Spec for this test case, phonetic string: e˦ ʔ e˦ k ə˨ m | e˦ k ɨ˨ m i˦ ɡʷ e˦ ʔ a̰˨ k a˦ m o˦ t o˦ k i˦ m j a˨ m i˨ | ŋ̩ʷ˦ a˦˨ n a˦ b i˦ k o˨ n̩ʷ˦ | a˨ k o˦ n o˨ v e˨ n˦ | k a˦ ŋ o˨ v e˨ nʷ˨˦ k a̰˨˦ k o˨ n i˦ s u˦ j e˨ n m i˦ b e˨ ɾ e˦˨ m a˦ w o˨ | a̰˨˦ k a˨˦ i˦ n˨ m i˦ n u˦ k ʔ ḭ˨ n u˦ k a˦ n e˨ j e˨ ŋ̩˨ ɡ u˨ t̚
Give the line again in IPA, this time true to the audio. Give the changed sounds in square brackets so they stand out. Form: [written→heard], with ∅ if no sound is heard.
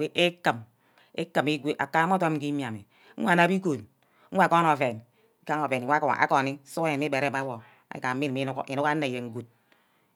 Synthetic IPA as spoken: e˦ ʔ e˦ k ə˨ m | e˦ k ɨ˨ m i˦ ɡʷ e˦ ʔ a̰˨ k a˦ m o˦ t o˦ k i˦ m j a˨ m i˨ | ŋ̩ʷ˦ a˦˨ n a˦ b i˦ k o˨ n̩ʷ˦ | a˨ k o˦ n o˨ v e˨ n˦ | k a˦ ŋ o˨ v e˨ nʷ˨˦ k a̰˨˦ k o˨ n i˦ s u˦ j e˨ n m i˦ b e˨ ɾ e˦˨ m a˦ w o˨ | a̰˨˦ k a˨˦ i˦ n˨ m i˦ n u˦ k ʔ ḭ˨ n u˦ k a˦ n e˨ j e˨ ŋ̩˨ ɡ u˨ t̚